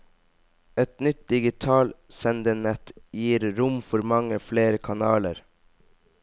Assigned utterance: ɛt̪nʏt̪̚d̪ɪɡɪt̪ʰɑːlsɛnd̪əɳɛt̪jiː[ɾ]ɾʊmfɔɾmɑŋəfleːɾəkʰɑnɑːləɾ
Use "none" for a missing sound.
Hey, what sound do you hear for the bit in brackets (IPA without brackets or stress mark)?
ɾ